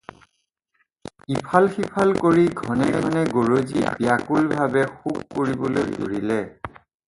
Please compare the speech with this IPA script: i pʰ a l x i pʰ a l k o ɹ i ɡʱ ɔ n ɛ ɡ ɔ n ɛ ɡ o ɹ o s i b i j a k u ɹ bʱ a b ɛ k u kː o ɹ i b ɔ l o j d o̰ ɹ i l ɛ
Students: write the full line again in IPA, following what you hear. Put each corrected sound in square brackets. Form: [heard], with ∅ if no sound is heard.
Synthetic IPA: i pʰ a l x i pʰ a l k o ɹ i ɡʱ ɔ n ɛ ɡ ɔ n ɛ ɡ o ɹ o [z] i b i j a k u [l] bʱ a b ɛ [x] u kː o ɹ i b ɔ l o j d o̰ ɹ i l ɛ